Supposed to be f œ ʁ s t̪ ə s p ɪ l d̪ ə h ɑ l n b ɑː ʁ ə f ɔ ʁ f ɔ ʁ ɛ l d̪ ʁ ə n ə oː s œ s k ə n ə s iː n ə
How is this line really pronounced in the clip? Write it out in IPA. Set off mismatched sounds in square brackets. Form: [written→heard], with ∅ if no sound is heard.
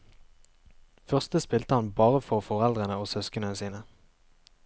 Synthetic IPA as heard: f œ ʁ s t̪ ə s p ɪ l [d̪→t̪] ə h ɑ [l→∅] n b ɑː ʁ ə f ɔ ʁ f ɔ ʁ ɛ l d̪ ʁ ə n ə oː s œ s k ə n ə s iː n ə